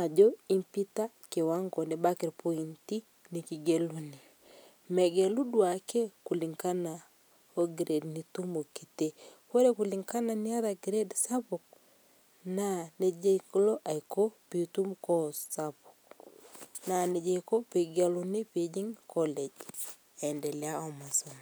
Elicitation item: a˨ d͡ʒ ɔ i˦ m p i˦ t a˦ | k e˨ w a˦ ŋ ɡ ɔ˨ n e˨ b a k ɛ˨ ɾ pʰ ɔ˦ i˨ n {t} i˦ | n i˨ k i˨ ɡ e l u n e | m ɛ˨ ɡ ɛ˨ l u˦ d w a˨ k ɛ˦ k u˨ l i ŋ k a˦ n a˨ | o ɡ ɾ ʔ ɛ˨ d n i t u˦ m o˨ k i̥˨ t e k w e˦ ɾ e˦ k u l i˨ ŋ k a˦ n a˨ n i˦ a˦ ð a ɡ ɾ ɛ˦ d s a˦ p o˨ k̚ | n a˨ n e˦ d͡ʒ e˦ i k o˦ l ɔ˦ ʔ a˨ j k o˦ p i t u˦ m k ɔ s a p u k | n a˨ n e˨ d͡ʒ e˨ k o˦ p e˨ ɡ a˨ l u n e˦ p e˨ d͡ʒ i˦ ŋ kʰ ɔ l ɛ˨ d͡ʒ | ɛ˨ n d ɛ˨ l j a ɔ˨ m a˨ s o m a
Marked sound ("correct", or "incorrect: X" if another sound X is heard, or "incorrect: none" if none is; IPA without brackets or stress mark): correct